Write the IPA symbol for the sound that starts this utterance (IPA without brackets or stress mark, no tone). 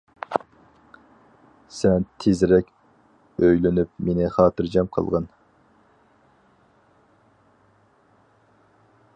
s